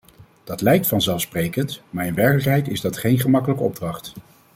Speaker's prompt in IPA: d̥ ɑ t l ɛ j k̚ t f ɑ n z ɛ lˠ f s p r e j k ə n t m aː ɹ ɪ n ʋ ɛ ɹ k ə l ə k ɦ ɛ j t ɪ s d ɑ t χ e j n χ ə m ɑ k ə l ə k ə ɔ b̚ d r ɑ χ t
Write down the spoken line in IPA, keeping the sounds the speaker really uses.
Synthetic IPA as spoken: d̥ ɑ t l ɛ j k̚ t f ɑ n z ɛ lˠ f s p r e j k ə n t m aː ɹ ɪ n ʋ ɛ ɹ k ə l ə k ɦ ɛ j t ɪ z d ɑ t χ e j n χ ə m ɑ k ə l ə k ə ɔ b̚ d r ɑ χ t